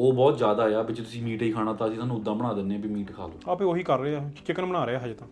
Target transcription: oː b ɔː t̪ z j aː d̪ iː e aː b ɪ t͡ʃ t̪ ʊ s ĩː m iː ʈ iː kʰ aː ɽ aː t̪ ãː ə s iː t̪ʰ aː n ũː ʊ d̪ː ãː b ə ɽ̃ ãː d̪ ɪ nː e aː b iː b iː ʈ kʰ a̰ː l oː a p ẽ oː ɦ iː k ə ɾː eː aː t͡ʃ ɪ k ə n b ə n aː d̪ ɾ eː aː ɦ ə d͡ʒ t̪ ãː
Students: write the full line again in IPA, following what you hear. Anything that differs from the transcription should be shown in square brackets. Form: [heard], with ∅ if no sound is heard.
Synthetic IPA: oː b ɔː t̪ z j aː d̪ [aː] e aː b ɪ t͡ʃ t̪ ʊ s ĩː m iː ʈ iː kʰ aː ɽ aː t̪ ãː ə s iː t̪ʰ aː n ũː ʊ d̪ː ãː b ə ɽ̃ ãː d̪ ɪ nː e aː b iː [m] iː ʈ kʰ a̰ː l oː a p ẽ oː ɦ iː k ə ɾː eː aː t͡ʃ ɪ k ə n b ə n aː [∅] ɾ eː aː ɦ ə d͡ʒ t̪ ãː